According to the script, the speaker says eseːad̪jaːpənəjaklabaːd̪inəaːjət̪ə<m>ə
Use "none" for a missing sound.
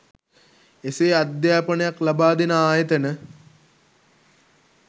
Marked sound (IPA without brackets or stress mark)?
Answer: n